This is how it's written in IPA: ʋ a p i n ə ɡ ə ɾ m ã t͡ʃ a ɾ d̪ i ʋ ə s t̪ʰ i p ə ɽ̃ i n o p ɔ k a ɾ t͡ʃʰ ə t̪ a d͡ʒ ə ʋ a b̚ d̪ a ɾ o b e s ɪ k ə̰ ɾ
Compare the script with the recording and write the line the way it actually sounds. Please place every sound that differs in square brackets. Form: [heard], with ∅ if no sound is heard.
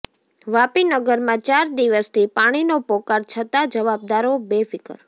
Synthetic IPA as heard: ʋ a p i n ə ɡ ə ɾ m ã t͡ʃ a ɾ d̪ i ʋ ə s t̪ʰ i p [a] ɽ̃ i n o p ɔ k a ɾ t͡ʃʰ ə t̪ a d͡ʒ ə ʋ a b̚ d̪ a ɾ o b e [f] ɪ k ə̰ ɾ

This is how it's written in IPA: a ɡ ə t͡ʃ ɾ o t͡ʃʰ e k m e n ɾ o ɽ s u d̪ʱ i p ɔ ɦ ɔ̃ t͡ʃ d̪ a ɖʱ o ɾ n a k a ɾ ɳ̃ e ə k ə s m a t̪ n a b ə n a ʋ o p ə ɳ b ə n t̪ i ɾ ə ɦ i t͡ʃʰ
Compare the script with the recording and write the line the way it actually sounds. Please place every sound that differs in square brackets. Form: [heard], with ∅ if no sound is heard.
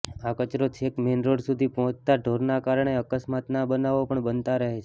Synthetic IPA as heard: a [k] ə t͡ʃ ɾ o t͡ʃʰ e k m e n ɾ o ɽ s u d̪ʱ i p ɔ ɦ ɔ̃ t͡ʃ [t̪] a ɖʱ o ɾ n a k a ɾ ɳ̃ e ə k ə s m a t̪ n a b ə n a ʋ o p ə ɳ b ə n t̪ [a] ɾ ə ɦ [e] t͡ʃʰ

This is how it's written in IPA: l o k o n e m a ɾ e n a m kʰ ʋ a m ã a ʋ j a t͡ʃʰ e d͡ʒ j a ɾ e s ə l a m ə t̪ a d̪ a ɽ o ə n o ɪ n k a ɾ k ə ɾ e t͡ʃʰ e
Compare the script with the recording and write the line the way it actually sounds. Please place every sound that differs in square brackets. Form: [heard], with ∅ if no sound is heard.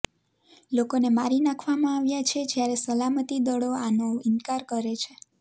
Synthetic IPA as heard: l o k o n e m a ɾ [i] n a [∅] kʰ ʋ a m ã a ʋ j a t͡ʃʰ e d͡ʒ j a ɾ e s ə l a m ə t̪ [i] d̪ [ə] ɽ o [a] n o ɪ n k a ɾ k ə ɾ e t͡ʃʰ e

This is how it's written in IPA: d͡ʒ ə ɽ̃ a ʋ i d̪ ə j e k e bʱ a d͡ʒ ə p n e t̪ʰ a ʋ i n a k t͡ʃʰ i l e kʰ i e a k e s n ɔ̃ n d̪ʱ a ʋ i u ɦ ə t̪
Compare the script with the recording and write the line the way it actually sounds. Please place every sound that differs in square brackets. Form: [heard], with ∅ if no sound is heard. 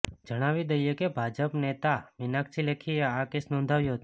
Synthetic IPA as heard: d͡ʒ ə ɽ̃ a ʋ i d̪ ə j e k e bʱ a d͡ʒ ə p n e [t̪] a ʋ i n a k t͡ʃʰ i l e kʰ i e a k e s n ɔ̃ n d̪ʱ a ʋ [j] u ɦ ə t̪

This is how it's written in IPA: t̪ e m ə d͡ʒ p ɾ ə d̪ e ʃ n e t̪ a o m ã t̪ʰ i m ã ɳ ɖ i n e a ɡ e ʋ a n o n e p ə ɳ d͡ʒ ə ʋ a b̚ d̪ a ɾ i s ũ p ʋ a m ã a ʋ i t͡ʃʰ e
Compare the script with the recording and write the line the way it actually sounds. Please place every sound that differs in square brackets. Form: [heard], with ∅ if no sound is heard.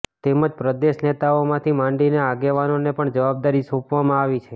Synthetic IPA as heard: t̪ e m ə d͡ʒ p ɾ ə d̪ e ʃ n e t̪ a o m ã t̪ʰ i m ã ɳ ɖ i n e a ɡ e ʋ a n o n e p ə ɳ d͡ʒ ə ʋ a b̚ d̪ a ɾ i s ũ p ʋ a m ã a ʋ i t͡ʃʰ e

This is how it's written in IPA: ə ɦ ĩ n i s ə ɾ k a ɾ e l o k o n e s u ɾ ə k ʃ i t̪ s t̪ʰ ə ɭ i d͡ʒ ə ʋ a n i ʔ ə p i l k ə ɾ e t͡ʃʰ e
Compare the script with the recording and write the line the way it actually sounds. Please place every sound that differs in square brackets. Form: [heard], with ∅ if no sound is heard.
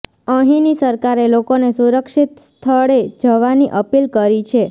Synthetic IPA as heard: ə ɦ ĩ n i s ə ɾ k a ɾ e l o k o n e s u ɾ ə k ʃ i t̪ s t̪ʰ ə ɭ [e] d͡ʒ ə ʋ a n i ʔ ə p i l k ə ɾ [i] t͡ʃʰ e

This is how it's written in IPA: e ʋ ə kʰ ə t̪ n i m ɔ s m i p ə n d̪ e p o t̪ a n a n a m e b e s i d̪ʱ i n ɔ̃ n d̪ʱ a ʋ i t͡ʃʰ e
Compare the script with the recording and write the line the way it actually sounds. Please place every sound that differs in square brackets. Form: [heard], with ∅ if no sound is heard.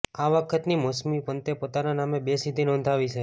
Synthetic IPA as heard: [a] ʋ ə kʰ ə t̪ n i m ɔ s m i p ə n [t̪] e p o t̪ a n a n a m e b e s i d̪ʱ i n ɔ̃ n d̪ʱ a ʋ i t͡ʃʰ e

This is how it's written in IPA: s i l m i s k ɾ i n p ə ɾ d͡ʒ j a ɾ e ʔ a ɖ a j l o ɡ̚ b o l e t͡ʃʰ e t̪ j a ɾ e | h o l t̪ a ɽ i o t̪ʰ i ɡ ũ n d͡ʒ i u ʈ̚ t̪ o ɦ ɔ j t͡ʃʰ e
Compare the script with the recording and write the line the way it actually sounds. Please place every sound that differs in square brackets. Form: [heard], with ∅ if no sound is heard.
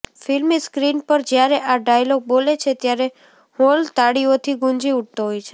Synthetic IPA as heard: [f] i l m i s k ɾ i n p ə ɾ d͡ʒ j a ɾ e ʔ a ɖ a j l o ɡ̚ b o l e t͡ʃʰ e t̪ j a ɾ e | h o l t̪ a ɽ i o t̪ʰ i ɡ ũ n d͡ʒ i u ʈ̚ t̪ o ɦ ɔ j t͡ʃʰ e

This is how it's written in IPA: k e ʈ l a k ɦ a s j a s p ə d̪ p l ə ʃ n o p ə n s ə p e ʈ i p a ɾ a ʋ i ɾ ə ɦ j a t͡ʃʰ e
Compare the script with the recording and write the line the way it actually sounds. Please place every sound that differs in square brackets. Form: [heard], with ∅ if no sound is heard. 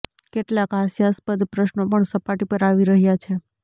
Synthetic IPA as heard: k e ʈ l a k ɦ a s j a s p ə d̪ p [ɾ] ə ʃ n o p ə [ɳ] s ə p [a] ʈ i p [ə] ɾ a ʋ i ɾ ə ɦ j a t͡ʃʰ e

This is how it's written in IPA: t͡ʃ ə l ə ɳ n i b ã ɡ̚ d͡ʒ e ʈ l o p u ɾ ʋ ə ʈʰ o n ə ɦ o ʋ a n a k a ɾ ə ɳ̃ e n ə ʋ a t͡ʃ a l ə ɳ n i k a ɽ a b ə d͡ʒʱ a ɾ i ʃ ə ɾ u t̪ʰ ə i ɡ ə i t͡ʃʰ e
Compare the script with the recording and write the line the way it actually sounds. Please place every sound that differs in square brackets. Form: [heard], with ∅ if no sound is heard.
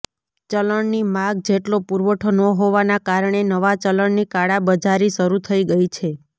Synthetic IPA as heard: t͡ʃ ə l ə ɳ n i [m] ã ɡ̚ d͡ʒ e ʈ l o p u ɾ ʋ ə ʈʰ o n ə ɦ o ʋ a n a k a ɾ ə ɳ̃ e n ə ʋ a t͡ʃ [ə] l ə ɳ n i k a ɽ a b ə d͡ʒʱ a ɾ i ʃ ə ɾ u t̪ʰ ə i ɡ ə i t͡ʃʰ e

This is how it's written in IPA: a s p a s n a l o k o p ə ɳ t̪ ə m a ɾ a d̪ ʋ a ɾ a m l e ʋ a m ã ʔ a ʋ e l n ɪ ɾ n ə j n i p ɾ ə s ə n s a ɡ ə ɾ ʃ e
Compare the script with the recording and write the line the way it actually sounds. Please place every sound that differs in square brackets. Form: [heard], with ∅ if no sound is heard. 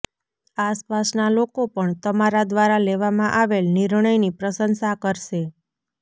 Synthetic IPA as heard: a s p a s n a l o k o p ə ɳ t̪ ə m a ɾ a d̪ ʋ a ɾ a [∅] l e ʋ a m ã ʔ a ʋ e l n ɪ ɾ [ɳ] ə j n i p ɾ ə s ə n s a [k] ə ɾ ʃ e

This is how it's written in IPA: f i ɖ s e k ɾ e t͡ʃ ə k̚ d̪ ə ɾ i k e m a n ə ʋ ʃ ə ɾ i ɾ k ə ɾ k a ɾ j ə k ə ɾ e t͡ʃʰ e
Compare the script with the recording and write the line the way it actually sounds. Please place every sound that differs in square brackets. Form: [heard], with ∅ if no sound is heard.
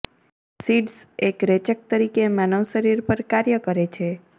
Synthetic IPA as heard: [s] i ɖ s e k ɾ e t͡ʃ ə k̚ [t̪] ə ɾ i k e m a n ə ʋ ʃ ə ɾ i ɾ [p] ə ɾ k a ɾ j ə k ə ɾ e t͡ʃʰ e

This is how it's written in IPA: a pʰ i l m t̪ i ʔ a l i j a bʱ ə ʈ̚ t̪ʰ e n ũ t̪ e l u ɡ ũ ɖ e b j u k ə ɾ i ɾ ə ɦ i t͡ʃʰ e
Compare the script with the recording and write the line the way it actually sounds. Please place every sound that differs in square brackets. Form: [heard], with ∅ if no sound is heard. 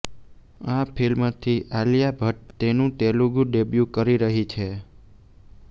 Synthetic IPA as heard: a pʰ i l m [t̪ʰ] i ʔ a l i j a bʱ ə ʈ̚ [t̪] e n ũ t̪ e l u ɡ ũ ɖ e b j u k ə ɾ i ɾ ə ɦ i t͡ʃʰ e

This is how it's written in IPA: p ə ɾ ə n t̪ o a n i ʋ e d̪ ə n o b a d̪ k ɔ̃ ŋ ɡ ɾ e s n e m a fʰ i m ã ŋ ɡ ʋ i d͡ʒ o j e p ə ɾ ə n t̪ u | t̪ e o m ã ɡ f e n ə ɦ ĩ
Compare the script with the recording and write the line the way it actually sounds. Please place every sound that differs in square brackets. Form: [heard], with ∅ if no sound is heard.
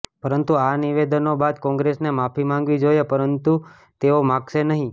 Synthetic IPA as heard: p ə ɾ ə n t̪ [u] a n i ʋ e d̪ ə n o b a d̪ k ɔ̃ ŋ ɡ ɾ e s n e m a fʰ i m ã ŋ ɡ ʋ i d͡ʒ o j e p ə ɾ ə n t̪ u | t̪ e o m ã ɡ [ʃ] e n ə ɦ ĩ

